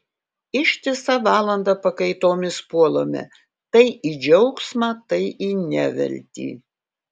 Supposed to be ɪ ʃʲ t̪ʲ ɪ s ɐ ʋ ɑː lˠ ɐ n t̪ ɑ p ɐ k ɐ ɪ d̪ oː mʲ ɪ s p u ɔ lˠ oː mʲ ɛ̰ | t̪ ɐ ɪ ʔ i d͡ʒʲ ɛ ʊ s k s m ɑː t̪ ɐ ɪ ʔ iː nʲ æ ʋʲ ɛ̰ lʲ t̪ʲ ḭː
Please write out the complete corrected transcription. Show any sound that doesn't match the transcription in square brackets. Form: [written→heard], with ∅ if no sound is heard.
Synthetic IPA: ɪ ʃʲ t̪ʲ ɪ s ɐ ʋ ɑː lˠ ɐ n [t̪→d̪] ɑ p ɐ k ɐ ɪ [d̪→t̪] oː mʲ ɪ s p u ɔ lˠ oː mʲ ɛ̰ | t̪ ɐ ɪ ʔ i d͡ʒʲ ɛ ʊ [s→∅] k s m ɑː t̪ ɐ ɪ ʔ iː nʲ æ ʋʲ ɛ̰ lʲ t̪ʲ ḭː

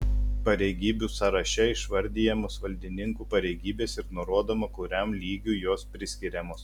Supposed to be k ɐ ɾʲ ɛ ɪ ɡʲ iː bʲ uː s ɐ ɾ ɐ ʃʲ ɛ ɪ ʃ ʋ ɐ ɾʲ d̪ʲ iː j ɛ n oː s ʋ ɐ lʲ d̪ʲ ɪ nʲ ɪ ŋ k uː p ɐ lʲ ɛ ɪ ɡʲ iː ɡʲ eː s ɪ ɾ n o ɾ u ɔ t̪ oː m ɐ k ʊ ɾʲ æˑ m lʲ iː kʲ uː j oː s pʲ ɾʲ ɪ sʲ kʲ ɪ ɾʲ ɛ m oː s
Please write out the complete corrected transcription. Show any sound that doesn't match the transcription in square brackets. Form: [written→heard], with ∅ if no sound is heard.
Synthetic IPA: [k→p] ɐ ɾʲ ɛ ɪ ɡʲ iː bʲ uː s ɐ ɾ ɐ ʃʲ ɛ ɪ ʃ ʋ ɐ ɾʲ d̪ʲ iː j ɛ [n→m] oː s ʋ ɐ lʲ d̪ʲ ɪ nʲ ɪ ŋ k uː p ɐ [lʲ→ɾʲ] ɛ ɪ ɡʲ iː [ɡʲ→bʲ] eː s ɪ ɾ n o ɾ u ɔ [t̪→d̪] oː m ɐ k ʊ ɾʲ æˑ m lʲ iː [kʲ→ɡʲ] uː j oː s pʲ ɾʲ ɪ sʲ kʲ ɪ ɾʲ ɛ m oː s

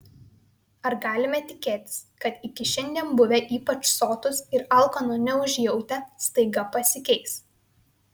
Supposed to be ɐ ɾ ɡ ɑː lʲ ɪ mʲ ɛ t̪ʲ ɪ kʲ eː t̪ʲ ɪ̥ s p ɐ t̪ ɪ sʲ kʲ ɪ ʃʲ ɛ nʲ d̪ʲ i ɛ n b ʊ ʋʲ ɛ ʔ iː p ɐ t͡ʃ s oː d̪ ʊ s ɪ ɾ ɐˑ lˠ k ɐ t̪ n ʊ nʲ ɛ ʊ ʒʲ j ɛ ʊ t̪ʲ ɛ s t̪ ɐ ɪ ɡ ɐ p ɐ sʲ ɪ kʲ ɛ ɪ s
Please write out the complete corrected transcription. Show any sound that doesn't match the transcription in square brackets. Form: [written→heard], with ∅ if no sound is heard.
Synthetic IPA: ɐ ɾ ɡ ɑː lʲ ɪ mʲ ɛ t̪ʲ ɪ kʲ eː t̪ʲ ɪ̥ s [p→k] ɐ t̪ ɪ [sʲ→∅] kʲ ɪ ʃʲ ɛ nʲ d̪ʲ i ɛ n b ʊ ʋʲ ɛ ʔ iː p ɐ t͡ʃ s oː [d̪→t̪] ʊ s ɪ ɾ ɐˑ lˠ k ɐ [t̪→∅] n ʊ nʲ ɛ ʊ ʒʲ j ɛ ʊ t̪ʲ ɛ s t̪ ɐ ɪ ɡ ɐ p ɐ sʲ ɪ kʲ ɛ ɪ s

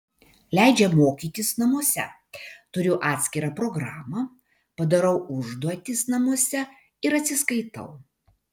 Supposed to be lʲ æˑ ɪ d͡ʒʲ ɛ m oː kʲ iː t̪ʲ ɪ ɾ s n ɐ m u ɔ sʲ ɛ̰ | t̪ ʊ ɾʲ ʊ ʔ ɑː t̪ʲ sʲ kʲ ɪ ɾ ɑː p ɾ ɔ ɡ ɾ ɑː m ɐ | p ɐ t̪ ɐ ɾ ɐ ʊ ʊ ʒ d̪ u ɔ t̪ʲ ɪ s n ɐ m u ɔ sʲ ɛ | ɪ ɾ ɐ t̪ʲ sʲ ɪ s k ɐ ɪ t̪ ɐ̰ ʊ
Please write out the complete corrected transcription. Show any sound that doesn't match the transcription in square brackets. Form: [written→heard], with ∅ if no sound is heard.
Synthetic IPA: lʲ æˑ ɪ d͡ʒʲ ɛ m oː kʲ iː t̪ʲ ɪ [ɾ→∅] s n ɐ m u ɔ sʲ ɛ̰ | t̪ ʊ ɾʲ ʊ ʔ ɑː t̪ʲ sʲ kʲ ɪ ɾ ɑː p ɾ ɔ ɡ ɾ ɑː m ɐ | p ɐ [t̪→d̪] ɐ ɾ ɐ ʊ ʊ ʒ d̪ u ɔ t̪ʲ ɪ s n ɐ m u ɔ sʲ ɛ | ɪ ɾ ɐ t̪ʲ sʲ ɪ s k ɐ ɪ t̪ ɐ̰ ʊ

